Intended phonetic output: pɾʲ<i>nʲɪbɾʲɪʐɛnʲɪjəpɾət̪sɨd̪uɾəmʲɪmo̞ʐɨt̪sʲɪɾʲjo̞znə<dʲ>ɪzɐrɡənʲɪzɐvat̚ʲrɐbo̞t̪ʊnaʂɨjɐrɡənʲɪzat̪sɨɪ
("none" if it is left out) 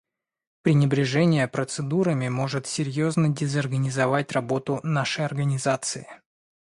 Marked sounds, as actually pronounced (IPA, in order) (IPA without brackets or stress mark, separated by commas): ɪ, dʲ